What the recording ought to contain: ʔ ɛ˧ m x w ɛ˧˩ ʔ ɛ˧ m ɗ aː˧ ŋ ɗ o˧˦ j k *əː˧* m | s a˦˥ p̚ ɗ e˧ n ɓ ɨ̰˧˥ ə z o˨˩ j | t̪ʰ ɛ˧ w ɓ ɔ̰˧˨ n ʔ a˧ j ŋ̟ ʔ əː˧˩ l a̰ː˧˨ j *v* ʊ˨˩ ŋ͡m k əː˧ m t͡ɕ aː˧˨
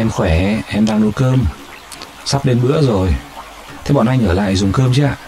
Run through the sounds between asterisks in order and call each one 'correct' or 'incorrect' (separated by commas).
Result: correct, incorrect